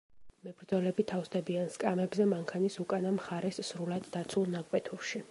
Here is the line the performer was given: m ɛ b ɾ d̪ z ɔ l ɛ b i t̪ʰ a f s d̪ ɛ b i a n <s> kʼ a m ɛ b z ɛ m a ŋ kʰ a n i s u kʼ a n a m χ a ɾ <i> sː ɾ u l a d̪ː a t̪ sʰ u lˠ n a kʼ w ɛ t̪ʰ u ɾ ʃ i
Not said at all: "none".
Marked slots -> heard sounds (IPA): s, ɛ

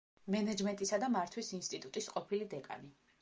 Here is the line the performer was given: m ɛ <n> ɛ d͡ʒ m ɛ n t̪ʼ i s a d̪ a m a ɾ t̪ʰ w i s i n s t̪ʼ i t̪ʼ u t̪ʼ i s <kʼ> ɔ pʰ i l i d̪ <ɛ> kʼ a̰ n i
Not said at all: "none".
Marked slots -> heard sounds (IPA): n, qʼ, ɛ

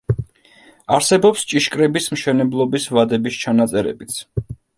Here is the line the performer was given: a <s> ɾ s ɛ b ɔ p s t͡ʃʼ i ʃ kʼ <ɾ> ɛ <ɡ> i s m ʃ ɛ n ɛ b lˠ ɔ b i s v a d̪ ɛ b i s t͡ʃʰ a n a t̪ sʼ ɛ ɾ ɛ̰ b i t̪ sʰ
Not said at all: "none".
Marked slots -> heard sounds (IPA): none, ɾ, b

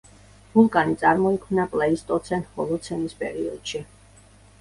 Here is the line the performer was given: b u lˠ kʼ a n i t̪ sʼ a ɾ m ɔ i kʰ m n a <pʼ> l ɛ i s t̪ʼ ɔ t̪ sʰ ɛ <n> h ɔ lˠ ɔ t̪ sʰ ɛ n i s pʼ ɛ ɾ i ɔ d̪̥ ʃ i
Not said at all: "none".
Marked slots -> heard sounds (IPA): pʼ, n

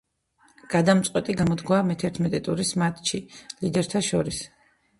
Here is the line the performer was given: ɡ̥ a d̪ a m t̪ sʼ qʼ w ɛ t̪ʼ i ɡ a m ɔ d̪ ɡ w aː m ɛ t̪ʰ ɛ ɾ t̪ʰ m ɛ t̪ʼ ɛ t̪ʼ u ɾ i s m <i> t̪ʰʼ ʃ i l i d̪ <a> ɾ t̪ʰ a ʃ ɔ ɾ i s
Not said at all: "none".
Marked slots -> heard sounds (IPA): a, ɛ

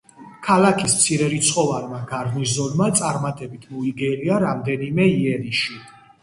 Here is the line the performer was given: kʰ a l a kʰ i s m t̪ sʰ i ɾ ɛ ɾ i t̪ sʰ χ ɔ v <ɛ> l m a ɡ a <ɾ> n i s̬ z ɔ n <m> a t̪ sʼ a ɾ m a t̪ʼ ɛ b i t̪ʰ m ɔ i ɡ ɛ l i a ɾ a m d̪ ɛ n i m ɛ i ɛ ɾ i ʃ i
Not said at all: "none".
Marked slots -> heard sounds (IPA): a, ɾ, m

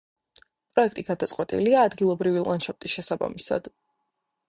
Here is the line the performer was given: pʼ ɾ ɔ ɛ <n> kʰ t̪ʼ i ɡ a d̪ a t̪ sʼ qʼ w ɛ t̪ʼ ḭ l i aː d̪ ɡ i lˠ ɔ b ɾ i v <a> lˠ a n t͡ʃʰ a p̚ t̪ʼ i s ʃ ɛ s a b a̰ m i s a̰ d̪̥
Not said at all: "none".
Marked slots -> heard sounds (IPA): none, i

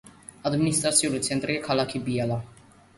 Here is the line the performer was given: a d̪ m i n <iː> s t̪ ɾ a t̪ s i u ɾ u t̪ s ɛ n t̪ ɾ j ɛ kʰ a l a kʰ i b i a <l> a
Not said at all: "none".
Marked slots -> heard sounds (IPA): i, l

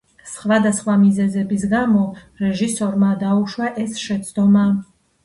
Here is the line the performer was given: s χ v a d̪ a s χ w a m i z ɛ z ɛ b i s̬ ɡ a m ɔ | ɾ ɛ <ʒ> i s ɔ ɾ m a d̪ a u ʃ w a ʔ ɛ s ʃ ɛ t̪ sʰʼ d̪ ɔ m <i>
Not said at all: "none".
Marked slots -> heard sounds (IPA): ʒ, a

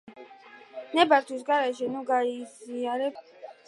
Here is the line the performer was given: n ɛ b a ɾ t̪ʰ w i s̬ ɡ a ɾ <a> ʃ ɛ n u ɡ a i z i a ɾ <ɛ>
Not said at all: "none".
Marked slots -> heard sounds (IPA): ɛ, ɛ

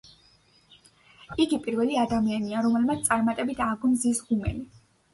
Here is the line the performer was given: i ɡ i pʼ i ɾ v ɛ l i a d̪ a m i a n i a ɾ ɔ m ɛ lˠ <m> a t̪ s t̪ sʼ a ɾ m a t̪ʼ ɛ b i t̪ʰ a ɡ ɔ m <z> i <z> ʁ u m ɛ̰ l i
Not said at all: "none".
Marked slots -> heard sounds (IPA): m, z, s

